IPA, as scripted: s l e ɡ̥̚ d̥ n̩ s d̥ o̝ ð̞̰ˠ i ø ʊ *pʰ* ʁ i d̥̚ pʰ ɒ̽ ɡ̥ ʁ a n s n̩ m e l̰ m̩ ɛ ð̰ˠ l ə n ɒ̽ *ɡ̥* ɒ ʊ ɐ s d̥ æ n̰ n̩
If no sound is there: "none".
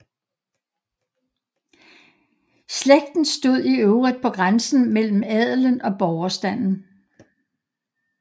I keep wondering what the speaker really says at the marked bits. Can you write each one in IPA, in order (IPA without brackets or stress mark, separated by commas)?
none, b̥